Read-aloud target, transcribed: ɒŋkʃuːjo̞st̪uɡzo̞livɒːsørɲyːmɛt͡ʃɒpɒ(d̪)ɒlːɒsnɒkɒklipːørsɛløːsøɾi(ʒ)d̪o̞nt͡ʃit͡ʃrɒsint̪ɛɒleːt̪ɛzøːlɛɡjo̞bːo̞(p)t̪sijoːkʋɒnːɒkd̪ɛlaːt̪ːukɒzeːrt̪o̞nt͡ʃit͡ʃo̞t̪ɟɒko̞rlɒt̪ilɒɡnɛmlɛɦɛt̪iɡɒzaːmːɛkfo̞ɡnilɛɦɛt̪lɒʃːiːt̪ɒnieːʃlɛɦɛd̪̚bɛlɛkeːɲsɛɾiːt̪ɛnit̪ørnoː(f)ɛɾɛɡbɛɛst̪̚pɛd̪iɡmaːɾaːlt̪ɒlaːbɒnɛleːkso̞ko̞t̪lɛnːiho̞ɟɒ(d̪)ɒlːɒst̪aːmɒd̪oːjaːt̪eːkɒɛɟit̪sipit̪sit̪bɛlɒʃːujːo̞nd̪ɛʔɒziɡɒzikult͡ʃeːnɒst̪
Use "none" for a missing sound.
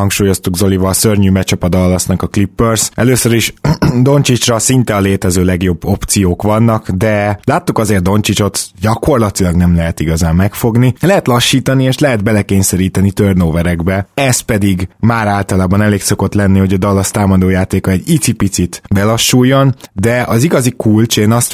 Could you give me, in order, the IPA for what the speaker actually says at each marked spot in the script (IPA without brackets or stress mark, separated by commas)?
d̪, ʃ, p, v, d̪